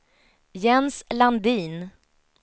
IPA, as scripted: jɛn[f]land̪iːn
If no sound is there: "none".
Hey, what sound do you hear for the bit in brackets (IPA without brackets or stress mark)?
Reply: s